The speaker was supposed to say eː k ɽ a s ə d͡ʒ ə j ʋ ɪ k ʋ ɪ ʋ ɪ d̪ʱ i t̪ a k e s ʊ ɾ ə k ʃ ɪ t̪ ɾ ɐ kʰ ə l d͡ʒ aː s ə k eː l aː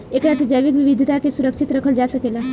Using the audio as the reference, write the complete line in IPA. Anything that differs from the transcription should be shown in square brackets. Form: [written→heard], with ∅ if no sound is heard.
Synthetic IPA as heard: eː k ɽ a s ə d͡ʒ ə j ʋ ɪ k ʋ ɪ ʋ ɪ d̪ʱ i t̪ a k e s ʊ ɾ ə k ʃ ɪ t̪ ɾ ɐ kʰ ə l d͡ʒ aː s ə k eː l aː

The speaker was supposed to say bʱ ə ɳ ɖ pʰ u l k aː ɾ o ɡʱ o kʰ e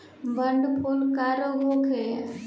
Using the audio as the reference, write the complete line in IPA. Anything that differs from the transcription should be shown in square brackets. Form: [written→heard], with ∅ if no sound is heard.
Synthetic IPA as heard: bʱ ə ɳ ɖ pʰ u l k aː ɾ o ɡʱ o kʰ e

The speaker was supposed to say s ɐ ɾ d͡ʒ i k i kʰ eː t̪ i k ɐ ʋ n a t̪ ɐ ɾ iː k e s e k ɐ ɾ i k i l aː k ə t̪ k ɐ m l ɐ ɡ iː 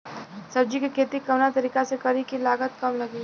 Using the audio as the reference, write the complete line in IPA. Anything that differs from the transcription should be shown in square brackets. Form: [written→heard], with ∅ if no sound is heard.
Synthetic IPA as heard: s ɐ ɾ d͡ʒ i k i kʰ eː t̪ i k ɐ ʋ n a t̪ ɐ ɾ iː k [e→a] s e k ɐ ɾ i k i l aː [k→ɡ] ə t̪ k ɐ m l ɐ ɡ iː

